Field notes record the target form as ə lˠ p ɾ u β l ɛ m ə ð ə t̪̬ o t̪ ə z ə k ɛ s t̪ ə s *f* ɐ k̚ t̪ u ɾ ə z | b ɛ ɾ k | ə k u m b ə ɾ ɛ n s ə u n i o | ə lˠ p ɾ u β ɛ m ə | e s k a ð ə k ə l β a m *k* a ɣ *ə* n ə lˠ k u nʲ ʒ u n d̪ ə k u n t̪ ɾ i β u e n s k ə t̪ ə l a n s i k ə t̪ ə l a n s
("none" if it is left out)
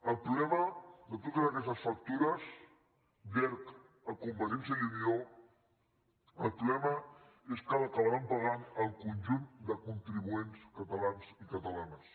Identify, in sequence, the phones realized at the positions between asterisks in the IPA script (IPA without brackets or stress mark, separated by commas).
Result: f, p, a